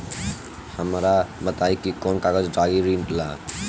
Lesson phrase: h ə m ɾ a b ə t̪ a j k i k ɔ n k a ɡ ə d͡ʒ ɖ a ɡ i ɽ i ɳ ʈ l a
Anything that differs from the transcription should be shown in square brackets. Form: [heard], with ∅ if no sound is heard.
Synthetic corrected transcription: h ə m ɾ a b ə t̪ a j k i k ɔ n k a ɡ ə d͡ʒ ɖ a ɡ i [ɾ] i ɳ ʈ l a